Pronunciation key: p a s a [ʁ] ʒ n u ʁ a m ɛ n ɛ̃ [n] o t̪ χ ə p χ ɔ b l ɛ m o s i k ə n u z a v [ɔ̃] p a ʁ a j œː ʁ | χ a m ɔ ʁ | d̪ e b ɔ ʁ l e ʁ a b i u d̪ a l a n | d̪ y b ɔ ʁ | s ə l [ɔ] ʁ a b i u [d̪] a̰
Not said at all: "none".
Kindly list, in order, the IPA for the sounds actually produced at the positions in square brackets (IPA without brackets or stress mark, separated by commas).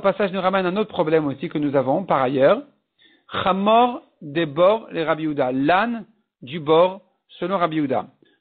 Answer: none, n, ɔ̃, ɔ̃, d̪